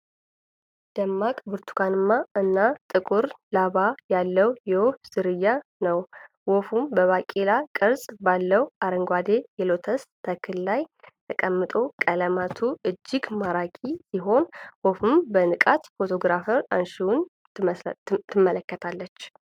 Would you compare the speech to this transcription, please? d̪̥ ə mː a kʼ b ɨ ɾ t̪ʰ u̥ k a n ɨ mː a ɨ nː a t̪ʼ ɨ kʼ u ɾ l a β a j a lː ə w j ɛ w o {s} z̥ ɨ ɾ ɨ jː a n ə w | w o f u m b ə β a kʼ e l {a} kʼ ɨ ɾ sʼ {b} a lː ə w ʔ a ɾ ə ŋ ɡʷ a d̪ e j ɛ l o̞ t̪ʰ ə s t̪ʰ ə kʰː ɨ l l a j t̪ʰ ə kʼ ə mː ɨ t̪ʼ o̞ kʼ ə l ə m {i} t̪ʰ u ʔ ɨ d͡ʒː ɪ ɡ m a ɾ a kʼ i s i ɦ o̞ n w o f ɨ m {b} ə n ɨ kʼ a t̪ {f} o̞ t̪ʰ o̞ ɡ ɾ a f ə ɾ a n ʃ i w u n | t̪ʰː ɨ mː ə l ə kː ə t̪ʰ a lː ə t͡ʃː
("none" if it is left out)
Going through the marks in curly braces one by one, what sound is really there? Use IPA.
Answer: f, a, b, a, b, f

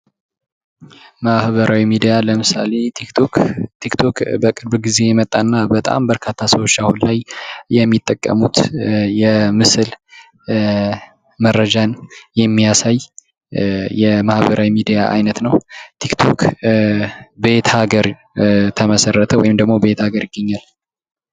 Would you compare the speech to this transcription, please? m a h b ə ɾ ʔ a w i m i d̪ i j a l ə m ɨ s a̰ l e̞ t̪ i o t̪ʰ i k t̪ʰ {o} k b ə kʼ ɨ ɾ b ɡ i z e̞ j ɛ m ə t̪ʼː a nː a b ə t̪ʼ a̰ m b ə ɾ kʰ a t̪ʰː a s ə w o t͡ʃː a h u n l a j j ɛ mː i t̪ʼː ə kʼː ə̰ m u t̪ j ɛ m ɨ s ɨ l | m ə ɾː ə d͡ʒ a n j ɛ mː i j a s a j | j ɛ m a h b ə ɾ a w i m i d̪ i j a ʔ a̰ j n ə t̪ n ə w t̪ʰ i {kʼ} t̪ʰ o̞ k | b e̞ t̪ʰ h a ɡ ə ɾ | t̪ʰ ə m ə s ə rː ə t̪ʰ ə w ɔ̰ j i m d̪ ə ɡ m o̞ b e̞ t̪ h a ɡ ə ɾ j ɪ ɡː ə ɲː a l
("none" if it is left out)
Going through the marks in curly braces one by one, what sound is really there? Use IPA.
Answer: o, k

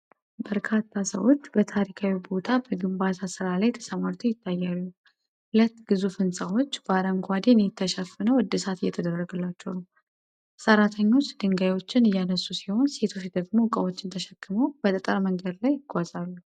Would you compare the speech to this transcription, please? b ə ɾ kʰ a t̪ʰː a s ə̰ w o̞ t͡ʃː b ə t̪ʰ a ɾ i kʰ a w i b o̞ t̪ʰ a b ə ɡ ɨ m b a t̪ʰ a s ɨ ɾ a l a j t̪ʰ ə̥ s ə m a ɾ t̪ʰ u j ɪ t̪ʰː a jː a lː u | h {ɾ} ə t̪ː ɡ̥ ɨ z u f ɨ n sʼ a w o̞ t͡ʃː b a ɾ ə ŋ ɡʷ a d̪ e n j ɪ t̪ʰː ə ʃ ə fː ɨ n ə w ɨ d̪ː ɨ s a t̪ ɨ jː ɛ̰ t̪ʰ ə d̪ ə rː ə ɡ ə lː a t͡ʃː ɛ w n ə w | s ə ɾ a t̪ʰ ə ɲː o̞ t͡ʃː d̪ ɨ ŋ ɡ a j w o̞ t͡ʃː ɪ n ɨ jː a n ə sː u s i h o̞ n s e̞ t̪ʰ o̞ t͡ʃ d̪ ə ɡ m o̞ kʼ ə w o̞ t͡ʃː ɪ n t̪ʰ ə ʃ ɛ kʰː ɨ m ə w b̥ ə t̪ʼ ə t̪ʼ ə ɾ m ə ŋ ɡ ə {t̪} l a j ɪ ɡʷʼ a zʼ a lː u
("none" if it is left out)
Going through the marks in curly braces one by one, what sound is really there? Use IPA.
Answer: l, d̪

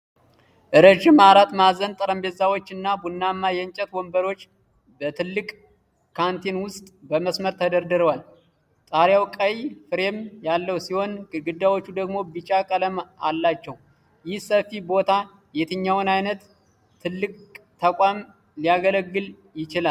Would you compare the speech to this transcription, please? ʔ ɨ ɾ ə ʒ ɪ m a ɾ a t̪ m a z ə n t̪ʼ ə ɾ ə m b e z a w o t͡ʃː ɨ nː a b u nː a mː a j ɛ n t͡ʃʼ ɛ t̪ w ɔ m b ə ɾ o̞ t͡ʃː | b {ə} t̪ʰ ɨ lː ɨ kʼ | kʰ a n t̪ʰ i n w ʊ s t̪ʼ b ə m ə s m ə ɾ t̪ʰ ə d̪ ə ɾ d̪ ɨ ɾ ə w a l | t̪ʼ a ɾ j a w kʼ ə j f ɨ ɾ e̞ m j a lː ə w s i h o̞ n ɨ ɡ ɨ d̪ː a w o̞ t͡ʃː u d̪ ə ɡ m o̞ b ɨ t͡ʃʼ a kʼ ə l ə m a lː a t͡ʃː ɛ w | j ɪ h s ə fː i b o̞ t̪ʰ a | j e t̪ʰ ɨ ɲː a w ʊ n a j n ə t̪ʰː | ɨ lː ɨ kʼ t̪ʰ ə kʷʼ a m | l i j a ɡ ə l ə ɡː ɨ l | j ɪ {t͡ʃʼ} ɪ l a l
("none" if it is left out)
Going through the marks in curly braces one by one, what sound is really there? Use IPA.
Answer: ə, t͡ʃ

